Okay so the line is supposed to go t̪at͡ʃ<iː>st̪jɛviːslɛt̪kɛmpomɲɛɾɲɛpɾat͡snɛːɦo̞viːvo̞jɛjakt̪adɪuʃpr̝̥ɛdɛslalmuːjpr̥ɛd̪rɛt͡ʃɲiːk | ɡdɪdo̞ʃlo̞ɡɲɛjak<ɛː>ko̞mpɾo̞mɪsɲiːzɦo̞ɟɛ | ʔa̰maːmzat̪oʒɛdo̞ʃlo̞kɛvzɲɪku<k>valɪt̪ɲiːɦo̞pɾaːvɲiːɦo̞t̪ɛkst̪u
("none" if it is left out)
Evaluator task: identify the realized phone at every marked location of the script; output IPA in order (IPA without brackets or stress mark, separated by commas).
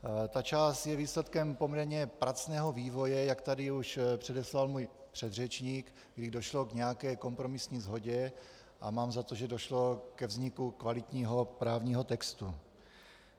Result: aː, ɛː, k